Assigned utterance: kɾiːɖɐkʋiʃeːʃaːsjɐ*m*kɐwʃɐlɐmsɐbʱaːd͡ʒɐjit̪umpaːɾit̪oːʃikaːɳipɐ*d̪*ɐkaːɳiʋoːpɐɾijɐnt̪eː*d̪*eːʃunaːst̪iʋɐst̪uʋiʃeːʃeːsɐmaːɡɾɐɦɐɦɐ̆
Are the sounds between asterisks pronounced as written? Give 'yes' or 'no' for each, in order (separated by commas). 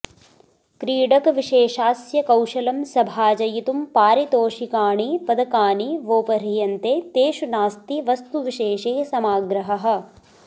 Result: no, yes, no